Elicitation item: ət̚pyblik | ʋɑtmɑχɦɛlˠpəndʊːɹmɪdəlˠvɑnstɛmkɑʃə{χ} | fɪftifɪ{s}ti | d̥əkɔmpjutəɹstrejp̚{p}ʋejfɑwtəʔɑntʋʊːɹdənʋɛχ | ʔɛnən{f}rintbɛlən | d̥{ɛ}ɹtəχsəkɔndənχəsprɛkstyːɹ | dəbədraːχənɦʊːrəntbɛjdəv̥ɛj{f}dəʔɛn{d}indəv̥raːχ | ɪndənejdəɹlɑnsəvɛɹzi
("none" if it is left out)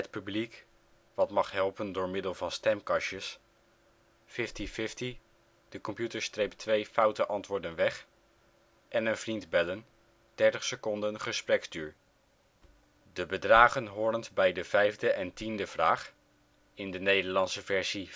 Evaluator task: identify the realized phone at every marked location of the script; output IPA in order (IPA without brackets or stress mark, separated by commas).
s, f, t, v, ɛ, v, t